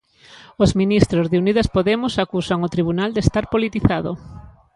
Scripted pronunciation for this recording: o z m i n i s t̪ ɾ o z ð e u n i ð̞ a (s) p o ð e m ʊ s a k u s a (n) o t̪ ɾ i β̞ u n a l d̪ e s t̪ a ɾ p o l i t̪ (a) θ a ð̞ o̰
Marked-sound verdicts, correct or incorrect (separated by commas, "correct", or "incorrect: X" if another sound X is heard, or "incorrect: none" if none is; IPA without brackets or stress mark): correct, incorrect: ŋ, incorrect: i